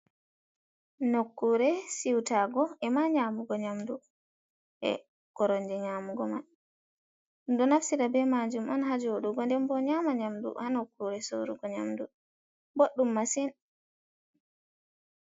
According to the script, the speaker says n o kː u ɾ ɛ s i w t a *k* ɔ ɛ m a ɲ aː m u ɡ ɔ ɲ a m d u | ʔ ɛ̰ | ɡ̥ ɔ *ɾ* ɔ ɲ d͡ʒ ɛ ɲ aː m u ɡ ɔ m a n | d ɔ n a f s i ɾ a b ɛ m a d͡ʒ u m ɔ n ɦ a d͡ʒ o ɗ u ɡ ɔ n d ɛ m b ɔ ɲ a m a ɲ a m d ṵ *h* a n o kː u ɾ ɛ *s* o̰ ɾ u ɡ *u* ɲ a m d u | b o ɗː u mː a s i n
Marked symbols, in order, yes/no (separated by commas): no, yes, yes, yes, no